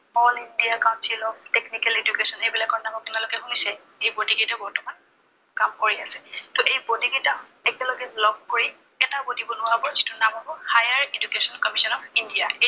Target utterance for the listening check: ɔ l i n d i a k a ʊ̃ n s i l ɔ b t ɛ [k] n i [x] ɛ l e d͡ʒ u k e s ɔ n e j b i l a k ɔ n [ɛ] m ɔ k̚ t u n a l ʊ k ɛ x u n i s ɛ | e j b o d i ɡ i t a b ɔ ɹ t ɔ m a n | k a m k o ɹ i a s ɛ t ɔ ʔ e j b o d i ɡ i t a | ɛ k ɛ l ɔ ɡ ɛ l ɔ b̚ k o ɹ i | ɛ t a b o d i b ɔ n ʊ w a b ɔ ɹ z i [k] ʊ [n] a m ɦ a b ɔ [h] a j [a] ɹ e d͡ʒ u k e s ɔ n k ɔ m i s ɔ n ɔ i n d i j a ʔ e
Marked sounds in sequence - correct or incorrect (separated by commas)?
correct, incorrect, incorrect, incorrect, correct, correct, correct